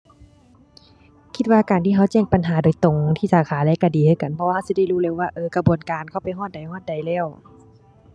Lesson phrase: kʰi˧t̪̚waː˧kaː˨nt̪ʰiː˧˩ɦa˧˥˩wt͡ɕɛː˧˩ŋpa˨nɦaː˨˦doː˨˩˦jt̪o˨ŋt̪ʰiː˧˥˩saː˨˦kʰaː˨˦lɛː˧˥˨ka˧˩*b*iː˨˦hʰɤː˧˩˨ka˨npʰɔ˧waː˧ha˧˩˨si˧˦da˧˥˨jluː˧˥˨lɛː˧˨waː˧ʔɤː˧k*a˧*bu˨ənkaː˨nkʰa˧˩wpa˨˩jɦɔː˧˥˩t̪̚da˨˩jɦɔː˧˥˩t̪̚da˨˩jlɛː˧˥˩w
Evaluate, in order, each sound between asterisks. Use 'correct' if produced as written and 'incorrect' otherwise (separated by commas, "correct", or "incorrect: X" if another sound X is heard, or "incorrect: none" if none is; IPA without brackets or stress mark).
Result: incorrect: d, correct